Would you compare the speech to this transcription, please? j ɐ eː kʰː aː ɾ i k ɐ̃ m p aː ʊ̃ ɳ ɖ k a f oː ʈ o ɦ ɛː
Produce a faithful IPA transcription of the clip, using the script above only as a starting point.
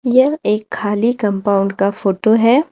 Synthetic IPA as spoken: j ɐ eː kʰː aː l i k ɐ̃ m p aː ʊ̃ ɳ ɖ k a f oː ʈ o ɦ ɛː